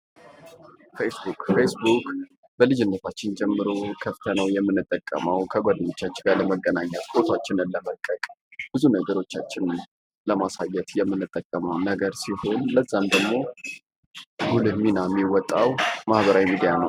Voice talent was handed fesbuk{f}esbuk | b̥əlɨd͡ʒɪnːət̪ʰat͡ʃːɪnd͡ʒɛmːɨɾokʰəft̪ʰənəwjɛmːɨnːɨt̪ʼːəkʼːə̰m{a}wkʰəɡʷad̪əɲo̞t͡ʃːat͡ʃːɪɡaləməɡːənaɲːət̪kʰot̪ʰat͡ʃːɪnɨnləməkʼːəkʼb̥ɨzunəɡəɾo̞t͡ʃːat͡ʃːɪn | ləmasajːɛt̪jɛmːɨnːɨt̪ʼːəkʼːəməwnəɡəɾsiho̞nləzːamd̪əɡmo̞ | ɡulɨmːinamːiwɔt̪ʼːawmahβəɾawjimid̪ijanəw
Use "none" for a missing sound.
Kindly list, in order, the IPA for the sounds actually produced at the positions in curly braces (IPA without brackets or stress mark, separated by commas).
f, ə